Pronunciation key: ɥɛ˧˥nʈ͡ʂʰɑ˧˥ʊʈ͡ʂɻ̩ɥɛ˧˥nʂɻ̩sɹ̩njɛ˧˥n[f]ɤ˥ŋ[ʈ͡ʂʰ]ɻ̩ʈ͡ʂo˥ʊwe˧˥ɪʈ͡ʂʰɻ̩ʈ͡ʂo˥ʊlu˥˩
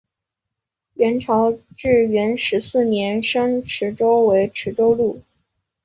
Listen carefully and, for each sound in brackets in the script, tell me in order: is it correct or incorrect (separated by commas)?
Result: incorrect, correct